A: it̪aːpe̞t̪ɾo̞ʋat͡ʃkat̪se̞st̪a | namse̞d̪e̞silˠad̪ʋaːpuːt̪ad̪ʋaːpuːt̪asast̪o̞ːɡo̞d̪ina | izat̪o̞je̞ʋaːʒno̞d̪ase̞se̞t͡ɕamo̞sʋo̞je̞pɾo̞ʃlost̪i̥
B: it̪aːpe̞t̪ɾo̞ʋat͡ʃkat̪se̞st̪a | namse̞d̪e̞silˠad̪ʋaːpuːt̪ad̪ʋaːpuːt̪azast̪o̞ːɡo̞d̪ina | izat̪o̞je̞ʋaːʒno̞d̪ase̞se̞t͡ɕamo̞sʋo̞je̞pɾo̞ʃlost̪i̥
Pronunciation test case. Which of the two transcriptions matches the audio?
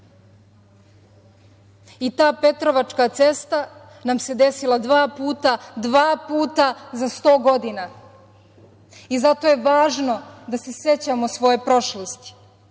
B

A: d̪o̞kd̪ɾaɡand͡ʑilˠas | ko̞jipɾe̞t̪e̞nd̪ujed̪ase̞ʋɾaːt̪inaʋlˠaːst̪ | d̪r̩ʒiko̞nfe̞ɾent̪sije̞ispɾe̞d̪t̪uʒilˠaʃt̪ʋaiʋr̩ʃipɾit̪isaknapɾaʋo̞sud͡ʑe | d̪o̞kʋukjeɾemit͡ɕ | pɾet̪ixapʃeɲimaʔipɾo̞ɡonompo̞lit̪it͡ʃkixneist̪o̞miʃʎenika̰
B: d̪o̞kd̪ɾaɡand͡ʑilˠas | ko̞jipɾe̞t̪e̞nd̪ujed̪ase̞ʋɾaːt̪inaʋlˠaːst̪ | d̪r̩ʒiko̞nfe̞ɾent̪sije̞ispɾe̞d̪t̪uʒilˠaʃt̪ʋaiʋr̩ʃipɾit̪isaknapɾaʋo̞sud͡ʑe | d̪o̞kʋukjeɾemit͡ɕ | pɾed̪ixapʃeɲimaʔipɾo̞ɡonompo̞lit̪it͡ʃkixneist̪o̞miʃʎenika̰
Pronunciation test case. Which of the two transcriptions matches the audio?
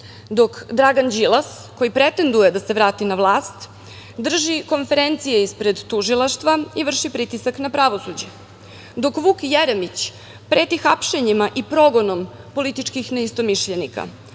A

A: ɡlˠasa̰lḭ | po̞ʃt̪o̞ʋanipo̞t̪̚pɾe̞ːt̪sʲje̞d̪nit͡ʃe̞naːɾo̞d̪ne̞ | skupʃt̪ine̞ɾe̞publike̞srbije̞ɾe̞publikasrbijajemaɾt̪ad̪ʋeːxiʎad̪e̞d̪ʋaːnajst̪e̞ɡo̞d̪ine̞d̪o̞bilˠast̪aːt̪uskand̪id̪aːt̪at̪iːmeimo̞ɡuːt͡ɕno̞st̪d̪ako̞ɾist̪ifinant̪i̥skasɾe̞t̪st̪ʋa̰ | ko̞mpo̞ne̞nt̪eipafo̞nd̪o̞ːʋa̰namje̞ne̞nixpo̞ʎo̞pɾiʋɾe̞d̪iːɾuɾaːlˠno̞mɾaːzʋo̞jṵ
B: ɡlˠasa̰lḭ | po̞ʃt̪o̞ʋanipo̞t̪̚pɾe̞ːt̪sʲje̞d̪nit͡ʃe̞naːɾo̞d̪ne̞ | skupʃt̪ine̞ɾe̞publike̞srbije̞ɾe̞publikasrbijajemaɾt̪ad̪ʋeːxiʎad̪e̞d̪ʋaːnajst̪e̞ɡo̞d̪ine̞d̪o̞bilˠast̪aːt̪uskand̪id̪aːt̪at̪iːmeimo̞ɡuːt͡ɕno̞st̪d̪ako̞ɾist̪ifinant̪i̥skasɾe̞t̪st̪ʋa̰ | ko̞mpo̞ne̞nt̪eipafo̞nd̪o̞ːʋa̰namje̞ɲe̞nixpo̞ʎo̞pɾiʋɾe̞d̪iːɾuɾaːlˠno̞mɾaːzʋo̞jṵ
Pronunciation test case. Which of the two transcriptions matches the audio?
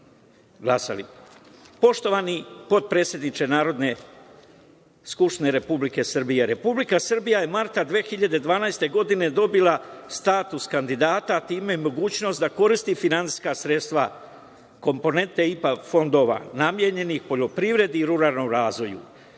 B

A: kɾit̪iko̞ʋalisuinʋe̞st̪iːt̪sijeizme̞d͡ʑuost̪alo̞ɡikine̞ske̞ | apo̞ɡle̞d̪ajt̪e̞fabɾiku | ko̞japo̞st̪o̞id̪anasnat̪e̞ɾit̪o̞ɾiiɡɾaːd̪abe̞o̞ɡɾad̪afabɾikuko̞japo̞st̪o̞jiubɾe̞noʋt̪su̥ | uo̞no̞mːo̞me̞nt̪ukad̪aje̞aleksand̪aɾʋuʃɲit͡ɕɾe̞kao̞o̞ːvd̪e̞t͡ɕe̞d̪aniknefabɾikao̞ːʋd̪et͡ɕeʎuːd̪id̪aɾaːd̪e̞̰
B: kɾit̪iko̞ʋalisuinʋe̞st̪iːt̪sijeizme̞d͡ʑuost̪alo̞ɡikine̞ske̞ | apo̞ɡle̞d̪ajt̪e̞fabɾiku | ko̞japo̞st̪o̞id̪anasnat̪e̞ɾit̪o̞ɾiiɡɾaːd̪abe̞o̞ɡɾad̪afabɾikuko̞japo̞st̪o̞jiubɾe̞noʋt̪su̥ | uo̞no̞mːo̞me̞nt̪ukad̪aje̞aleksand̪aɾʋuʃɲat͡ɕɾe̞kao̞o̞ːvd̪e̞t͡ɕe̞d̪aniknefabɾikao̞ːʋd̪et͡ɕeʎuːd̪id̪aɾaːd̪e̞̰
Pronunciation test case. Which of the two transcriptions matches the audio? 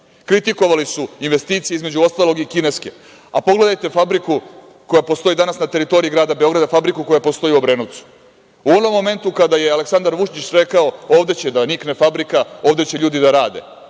A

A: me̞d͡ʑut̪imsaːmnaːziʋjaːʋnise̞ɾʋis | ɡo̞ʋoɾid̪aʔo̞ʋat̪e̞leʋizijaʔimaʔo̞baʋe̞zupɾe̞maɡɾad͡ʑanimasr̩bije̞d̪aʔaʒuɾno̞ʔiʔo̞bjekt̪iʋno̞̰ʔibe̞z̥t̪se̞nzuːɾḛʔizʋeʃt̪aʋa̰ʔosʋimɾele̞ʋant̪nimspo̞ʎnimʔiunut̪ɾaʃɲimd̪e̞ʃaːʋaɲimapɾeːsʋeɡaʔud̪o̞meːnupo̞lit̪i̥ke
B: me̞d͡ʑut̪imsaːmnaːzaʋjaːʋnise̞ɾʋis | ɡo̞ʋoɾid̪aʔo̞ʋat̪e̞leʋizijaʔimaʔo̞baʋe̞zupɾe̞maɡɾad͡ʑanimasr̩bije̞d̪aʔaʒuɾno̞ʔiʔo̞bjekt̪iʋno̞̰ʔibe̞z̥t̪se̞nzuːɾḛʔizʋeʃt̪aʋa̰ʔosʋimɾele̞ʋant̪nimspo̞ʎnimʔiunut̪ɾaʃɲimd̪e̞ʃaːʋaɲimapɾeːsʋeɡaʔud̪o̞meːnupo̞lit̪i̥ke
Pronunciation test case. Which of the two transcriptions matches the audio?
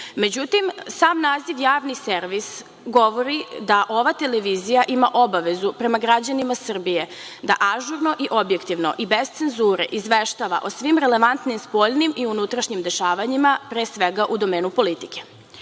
A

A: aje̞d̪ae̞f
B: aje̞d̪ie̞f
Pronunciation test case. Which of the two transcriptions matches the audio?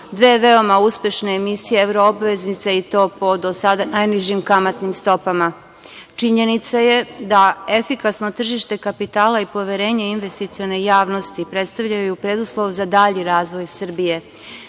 A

